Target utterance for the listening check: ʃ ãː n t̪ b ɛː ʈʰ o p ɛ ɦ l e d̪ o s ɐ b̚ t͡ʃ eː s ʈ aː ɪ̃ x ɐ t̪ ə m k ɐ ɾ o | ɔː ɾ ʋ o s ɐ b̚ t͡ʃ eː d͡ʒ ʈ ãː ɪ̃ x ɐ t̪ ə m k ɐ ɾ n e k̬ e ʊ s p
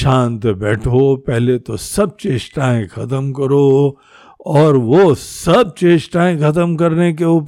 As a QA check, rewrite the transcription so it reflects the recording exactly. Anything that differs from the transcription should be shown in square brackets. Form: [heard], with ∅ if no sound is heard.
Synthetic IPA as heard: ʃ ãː n t̪ b ɛː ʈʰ o p ɛ ɦ l e [t̪] o s ɐ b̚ t͡ʃ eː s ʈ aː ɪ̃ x ɐ t̪ ə m k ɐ ɾ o | ɔː ɾ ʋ o s ɐ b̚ t͡ʃ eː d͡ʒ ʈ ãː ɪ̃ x ɐ t̪ ə m k ɐ ɾ n e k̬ e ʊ [∅] p